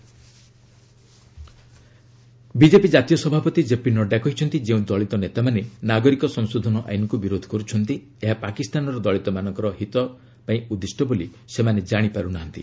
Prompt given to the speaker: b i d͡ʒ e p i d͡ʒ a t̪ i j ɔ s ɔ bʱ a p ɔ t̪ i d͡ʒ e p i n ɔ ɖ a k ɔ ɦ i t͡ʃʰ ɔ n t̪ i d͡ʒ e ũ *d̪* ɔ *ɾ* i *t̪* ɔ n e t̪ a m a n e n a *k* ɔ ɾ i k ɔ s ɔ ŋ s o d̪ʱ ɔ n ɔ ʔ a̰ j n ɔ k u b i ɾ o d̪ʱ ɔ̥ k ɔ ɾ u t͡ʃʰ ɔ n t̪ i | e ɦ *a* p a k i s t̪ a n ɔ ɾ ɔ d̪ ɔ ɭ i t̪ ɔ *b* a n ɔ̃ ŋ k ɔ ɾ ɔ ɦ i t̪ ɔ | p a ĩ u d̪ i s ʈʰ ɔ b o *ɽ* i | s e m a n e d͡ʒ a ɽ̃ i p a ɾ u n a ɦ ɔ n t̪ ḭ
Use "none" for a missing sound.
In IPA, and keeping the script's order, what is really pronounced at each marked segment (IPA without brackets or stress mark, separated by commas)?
d̪, ɭ, t̪, ɡ, a, m, l